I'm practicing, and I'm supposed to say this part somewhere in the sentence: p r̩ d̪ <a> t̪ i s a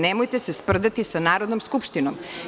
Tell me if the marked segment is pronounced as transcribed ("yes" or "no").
yes